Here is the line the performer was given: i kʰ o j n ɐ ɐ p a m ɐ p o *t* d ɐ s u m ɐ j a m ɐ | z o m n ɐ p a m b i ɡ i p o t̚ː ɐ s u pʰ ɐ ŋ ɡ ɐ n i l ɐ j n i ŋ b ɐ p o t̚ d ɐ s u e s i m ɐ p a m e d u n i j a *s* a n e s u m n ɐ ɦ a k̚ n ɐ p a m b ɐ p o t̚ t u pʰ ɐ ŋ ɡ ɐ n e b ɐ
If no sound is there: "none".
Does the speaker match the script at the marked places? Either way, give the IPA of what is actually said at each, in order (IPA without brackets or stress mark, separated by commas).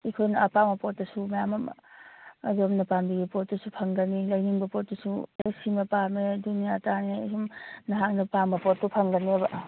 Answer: t, t